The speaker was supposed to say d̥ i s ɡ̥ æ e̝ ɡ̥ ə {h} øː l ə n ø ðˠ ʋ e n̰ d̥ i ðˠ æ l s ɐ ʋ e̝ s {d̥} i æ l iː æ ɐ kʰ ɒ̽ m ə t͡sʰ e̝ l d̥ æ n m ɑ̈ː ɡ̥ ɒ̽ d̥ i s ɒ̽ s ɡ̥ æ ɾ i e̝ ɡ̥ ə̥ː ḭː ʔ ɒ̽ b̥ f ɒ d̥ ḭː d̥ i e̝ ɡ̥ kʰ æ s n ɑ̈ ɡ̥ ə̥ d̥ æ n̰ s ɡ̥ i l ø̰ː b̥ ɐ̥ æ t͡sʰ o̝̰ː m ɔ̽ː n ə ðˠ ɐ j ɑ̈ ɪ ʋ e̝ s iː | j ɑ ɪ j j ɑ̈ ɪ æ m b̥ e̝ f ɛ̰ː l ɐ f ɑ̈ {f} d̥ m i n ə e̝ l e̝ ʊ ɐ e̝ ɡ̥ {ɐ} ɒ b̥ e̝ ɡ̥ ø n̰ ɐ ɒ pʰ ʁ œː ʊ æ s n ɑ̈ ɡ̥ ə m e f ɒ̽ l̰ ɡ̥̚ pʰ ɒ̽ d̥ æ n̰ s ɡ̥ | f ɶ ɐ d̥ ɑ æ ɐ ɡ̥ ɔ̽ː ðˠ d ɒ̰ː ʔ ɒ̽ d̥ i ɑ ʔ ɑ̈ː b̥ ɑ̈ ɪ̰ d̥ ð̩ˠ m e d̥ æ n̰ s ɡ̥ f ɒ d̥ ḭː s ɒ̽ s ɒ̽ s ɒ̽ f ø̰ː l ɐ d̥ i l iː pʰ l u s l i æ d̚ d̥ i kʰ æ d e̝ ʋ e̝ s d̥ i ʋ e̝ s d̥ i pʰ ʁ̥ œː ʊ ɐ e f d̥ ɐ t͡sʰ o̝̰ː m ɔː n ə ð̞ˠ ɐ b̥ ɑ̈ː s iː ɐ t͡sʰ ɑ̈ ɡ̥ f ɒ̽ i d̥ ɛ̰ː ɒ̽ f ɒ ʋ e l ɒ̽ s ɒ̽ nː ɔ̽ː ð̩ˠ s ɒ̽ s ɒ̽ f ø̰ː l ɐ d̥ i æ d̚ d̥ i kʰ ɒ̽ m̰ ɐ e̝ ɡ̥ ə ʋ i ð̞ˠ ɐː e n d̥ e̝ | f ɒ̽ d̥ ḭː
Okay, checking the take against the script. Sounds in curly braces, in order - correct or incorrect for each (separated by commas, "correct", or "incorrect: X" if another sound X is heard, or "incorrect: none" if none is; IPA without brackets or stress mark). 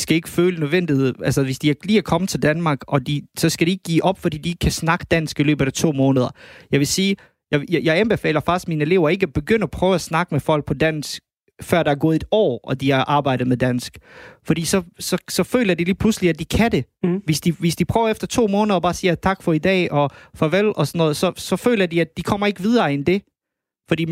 incorrect: f, correct, incorrect: s, incorrect: ə